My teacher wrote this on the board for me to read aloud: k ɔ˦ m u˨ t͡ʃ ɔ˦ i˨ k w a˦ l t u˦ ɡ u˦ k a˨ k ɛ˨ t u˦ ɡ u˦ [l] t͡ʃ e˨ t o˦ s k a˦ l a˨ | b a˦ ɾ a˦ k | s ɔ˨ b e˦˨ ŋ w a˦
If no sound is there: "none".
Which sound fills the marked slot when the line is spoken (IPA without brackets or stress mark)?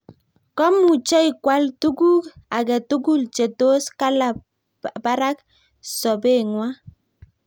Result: l